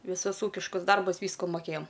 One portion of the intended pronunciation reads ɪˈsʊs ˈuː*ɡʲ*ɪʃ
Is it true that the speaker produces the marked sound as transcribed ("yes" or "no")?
no